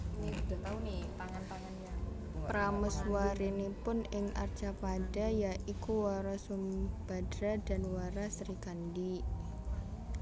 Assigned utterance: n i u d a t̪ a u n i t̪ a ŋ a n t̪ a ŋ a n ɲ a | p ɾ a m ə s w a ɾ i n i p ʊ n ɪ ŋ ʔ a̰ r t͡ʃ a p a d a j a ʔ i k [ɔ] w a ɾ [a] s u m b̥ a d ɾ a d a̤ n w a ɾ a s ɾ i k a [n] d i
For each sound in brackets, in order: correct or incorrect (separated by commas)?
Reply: incorrect, correct, correct